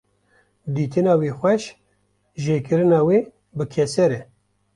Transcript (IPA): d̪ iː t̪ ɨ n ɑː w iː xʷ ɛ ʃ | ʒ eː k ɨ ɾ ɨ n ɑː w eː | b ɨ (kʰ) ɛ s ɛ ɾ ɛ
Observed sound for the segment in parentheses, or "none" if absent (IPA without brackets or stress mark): kʰ